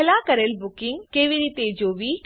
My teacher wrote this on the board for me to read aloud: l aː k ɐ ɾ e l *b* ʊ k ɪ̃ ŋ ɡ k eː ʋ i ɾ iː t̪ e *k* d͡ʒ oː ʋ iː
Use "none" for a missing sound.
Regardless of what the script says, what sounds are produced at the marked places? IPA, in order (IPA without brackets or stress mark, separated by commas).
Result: b, none